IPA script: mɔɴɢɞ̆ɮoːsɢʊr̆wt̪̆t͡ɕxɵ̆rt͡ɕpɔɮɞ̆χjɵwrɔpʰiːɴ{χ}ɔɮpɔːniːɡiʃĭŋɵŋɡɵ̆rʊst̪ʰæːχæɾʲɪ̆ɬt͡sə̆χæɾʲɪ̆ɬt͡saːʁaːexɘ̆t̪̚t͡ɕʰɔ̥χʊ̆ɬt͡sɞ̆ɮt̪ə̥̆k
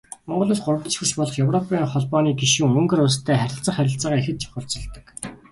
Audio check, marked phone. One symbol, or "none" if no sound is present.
χ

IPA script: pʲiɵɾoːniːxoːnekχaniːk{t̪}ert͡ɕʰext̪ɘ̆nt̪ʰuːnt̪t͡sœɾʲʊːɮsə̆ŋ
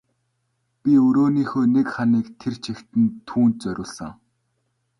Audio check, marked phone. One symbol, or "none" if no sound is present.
t̪ʰ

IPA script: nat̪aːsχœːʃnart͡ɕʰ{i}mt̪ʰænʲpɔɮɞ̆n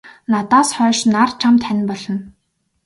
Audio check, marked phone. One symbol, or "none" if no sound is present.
a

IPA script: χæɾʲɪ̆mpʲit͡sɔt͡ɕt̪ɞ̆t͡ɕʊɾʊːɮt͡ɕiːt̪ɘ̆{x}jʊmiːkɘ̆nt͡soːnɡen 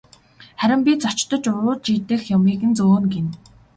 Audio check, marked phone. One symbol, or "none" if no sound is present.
x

